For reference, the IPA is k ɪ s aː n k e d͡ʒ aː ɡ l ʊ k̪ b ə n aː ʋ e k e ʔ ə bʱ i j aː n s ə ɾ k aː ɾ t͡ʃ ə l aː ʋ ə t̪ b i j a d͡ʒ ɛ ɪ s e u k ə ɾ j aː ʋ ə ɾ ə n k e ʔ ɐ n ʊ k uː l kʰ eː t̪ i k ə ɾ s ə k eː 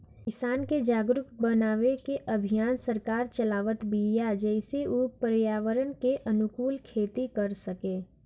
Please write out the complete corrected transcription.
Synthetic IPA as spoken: k ɪ s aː n k e d͡ʒ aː ɡ ɾ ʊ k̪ b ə n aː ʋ e k e ʔ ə bʱ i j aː n s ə ɾ k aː ɾ t͡ʃ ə l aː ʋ ə t̪ b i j a d͡ʒ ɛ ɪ s e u p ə ɾ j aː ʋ ə ɾ ə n k e ʔ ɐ n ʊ k uː l kʰ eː t̪ i k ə ɾ s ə k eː